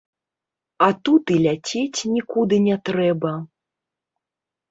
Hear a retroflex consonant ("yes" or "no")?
no